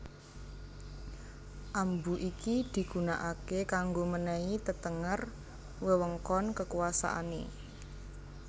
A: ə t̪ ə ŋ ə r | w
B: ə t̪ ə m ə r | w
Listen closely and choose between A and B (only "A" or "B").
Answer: A